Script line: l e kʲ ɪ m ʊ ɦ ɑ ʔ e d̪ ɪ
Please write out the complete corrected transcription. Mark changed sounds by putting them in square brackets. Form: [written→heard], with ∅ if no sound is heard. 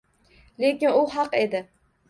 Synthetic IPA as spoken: l e kʲ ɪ [m→n] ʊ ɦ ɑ [ʔ→q] e d̪ ɪ

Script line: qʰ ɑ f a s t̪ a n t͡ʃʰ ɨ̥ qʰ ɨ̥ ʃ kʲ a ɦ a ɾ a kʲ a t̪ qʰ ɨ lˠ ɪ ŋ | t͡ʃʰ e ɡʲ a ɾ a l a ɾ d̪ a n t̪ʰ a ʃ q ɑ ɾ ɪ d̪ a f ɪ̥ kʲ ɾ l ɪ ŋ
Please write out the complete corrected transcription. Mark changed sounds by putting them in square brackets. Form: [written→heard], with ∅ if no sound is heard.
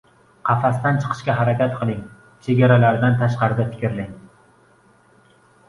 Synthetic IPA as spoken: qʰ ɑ f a s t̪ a n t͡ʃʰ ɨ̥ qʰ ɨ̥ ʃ kʲ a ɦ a ɾ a kʲ a t̪ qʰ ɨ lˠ ɪ ŋ | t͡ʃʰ e ɡʲ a ɾ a l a ɾ d̪ a n t̪ʰ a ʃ q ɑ ɾ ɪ d̪ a f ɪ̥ kʲ ɾ l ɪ ŋ

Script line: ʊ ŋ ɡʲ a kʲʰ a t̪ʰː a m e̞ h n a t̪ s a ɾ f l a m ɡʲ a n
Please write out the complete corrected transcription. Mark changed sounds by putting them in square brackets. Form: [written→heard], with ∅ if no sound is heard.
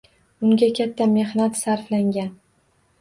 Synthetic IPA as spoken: ʊ ŋ ɡʲ a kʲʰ a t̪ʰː a m e̞ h n a t̪ s a ɾ f l a [m→ŋ] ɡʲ a n

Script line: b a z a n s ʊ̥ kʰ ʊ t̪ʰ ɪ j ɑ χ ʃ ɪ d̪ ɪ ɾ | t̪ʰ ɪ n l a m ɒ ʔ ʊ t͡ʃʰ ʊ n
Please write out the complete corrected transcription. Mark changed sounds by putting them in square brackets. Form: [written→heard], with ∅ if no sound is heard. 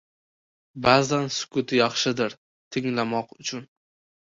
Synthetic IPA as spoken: b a z a n s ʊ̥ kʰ ʊ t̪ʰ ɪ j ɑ χ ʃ ɪ d̪ ɪ ɾ | t̪ʰ ɪ [n→ŋ] l a m ɒ [ʔ→q] ʊ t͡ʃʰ ʊ n

